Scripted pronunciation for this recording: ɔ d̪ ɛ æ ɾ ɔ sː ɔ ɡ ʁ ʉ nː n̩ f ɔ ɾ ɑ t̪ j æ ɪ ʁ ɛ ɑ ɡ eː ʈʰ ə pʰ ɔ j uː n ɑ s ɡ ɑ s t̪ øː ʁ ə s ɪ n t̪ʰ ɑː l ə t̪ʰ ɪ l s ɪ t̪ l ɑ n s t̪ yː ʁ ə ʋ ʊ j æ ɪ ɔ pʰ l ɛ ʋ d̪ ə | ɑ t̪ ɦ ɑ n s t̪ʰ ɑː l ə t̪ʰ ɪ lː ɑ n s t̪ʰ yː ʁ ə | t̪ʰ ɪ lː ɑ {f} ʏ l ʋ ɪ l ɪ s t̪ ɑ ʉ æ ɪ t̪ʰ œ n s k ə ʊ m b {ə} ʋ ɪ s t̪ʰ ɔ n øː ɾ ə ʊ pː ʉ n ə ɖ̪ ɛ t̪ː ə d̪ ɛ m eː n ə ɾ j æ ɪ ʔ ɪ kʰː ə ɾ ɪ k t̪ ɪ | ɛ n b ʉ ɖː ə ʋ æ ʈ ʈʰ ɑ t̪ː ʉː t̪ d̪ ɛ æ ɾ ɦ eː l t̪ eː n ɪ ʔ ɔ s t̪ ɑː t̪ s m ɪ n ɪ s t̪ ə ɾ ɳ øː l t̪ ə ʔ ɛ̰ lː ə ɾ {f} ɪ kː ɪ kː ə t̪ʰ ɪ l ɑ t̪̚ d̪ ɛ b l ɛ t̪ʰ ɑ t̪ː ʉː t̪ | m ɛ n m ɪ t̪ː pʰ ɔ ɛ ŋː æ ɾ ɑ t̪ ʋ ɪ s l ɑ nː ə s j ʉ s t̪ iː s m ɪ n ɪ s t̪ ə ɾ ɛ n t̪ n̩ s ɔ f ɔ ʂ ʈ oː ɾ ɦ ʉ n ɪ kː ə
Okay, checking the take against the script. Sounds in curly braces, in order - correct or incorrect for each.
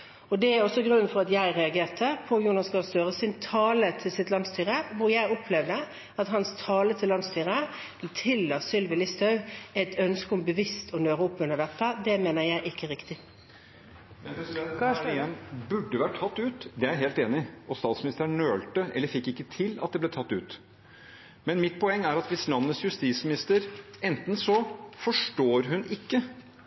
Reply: incorrect, correct, correct

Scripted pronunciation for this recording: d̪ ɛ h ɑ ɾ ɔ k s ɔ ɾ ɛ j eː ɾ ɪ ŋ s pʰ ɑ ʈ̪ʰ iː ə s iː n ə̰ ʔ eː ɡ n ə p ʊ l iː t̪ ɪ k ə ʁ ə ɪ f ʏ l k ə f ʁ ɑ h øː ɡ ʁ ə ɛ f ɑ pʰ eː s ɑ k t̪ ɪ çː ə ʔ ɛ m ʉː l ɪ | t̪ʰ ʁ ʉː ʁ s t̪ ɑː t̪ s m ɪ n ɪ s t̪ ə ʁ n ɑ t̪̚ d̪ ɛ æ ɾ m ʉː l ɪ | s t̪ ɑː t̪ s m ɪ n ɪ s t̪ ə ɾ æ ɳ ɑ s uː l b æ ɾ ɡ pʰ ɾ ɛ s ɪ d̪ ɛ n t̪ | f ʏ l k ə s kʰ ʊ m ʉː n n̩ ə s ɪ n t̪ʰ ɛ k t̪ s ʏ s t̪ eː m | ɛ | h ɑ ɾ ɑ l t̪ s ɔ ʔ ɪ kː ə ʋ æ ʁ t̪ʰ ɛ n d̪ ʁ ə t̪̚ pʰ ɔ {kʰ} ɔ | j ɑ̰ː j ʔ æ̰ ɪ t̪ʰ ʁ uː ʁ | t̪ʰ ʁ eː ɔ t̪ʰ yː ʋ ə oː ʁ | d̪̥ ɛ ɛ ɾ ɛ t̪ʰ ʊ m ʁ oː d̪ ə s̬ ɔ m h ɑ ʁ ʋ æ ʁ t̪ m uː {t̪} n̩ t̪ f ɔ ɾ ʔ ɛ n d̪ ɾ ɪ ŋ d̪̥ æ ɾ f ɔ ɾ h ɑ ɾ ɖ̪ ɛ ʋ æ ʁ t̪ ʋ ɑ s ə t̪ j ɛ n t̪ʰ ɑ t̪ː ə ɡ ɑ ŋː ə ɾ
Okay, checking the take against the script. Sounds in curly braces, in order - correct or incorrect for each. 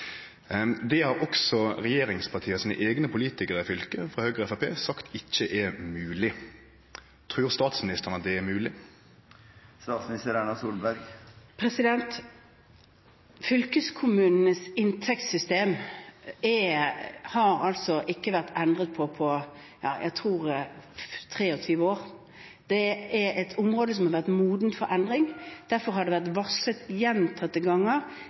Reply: incorrect, incorrect

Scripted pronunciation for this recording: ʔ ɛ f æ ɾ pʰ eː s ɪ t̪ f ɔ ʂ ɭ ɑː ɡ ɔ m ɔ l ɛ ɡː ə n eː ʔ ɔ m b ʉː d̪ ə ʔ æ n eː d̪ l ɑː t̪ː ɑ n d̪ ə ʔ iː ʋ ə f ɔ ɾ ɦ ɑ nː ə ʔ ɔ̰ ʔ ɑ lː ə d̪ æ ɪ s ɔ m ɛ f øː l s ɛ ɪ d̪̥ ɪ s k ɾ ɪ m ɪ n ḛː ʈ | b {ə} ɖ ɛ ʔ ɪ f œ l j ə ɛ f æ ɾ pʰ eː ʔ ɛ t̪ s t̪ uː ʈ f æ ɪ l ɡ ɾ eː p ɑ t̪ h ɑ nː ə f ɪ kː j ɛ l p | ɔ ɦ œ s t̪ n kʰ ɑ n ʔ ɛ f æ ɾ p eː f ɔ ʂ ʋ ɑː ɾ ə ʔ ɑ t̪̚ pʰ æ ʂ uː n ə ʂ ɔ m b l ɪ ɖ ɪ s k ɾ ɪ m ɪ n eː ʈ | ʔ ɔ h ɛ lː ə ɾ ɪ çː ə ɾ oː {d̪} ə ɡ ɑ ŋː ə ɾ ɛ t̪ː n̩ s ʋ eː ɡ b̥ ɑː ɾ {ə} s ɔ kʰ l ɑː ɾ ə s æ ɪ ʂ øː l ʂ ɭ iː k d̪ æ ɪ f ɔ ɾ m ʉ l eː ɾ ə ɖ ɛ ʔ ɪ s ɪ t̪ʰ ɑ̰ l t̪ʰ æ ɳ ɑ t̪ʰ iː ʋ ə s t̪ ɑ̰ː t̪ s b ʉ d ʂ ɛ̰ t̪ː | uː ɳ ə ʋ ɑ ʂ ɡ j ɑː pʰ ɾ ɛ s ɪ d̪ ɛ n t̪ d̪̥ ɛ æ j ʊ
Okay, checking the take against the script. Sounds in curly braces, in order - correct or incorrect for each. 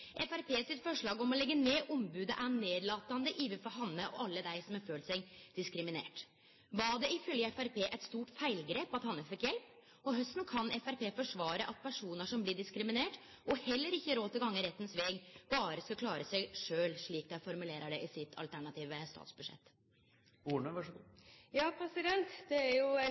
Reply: incorrect, incorrect, correct

